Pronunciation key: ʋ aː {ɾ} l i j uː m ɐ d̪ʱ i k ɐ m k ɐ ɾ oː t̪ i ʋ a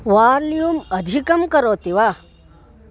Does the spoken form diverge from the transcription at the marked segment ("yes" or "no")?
no